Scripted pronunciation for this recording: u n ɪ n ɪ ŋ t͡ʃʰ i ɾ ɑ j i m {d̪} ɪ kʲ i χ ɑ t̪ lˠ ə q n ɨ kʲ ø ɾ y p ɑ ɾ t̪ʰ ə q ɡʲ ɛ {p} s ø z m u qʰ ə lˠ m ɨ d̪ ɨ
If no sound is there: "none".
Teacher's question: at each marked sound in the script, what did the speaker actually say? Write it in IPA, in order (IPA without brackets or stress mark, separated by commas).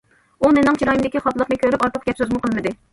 d̪, p